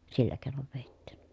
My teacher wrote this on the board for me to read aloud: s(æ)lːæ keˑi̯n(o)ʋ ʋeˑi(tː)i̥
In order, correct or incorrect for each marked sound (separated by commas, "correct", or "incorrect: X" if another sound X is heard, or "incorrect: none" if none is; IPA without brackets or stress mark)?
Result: incorrect: i, correct, correct